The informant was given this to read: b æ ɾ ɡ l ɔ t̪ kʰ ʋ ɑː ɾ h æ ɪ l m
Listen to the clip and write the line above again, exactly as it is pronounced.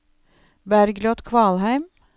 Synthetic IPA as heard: b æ ɾ ɡ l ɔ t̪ kʰ ʋ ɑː l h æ ɪ m